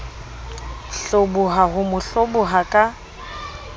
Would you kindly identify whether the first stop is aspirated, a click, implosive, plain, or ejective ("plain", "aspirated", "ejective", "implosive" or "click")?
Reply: plain